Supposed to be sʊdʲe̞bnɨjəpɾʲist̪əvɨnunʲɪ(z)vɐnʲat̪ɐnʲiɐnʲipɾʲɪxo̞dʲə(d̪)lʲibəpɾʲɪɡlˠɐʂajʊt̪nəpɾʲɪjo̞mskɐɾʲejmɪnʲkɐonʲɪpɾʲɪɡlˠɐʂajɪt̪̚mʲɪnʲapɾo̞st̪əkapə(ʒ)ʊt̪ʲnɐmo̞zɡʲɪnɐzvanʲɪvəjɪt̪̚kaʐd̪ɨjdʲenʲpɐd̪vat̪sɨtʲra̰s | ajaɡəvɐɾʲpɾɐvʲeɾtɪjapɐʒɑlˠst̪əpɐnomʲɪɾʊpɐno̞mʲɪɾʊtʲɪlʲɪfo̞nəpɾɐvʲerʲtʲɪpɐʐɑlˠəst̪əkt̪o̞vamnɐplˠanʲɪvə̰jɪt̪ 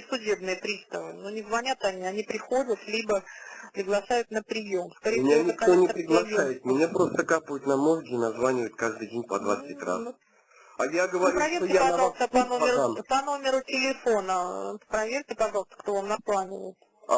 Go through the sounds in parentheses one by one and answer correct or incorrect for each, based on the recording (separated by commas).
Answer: correct, incorrect, incorrect